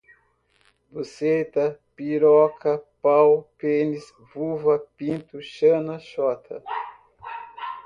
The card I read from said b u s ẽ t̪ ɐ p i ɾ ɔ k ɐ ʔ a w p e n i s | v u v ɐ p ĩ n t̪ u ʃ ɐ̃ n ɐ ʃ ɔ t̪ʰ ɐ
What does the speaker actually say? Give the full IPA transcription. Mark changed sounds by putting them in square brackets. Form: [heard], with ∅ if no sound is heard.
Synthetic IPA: b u s [e] t̪ ɐ p i ɾ ɔ k ɐ [p] a w p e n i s | v u v ɐ p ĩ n t̪ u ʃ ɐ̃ n ɐ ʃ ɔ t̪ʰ ɐ